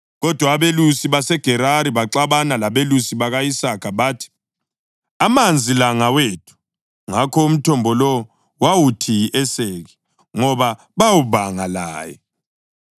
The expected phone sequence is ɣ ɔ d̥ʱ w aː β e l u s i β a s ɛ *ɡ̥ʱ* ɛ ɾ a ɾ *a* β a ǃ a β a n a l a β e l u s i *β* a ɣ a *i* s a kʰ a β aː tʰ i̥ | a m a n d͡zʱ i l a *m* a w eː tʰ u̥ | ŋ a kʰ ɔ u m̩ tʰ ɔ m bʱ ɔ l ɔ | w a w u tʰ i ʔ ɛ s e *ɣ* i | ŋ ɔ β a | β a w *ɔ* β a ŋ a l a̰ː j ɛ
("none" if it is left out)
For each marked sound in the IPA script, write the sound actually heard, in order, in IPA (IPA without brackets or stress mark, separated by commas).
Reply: ɡ̥ʱ, i, β, i, ŋ, ɣ, u